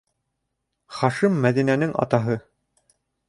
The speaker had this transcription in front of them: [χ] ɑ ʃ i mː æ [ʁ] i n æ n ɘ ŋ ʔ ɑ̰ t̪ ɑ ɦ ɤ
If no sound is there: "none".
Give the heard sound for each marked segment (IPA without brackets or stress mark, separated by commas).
χ, ð